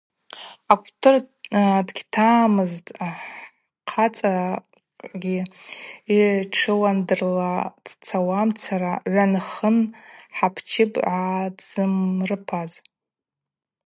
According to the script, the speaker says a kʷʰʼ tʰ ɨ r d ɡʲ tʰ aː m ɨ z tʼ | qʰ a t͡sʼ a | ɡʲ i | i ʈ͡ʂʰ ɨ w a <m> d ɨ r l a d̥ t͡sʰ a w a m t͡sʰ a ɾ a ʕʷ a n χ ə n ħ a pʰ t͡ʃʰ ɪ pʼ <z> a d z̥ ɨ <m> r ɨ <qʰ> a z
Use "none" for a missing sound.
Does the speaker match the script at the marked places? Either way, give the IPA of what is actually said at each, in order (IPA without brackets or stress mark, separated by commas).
n, ʕ, m, pʰ